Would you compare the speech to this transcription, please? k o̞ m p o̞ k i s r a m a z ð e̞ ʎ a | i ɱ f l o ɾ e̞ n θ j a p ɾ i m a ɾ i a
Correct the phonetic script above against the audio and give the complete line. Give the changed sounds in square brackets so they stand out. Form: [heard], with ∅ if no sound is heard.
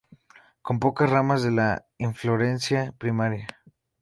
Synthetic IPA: k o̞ m p o̞ k [a] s r a m a z ð e̞ [l] a | i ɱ f l o ɾ e̞ n [s] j a p ɾ i m a ɾ [j] a